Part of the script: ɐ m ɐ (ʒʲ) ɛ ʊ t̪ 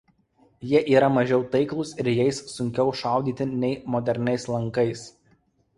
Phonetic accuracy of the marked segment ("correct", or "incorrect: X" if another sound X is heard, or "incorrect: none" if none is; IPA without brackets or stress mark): correct